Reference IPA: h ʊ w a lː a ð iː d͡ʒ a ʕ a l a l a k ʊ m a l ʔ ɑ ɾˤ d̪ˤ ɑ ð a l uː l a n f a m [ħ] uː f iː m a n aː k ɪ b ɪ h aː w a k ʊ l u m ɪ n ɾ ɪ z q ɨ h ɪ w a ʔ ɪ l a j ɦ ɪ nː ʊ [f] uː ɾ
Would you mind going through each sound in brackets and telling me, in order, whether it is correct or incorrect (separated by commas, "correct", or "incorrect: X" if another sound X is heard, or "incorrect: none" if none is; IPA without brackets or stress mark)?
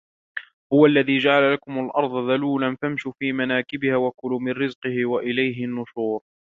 incorrect: ʃ, incorrect: ʃ